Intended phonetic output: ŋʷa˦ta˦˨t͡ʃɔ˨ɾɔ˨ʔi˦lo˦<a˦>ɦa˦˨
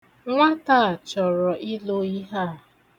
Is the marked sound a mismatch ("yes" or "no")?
yes